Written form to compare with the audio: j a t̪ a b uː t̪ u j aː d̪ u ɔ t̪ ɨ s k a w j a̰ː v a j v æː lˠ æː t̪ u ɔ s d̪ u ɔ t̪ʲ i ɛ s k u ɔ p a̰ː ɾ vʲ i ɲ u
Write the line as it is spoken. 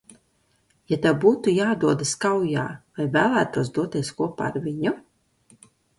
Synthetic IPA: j a t̪ a b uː t̪ u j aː d̪ u ɔ d̪ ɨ s k a w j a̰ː v a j v æː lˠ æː t̪ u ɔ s d̪ u ɔ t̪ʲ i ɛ s k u ɔ p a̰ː ɾ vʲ i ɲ u